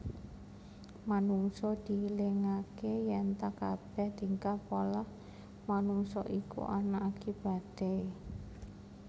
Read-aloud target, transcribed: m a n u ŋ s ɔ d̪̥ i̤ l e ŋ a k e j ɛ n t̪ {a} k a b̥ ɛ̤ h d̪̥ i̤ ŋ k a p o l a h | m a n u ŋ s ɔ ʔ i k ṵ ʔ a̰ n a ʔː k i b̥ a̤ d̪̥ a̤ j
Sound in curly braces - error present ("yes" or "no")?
no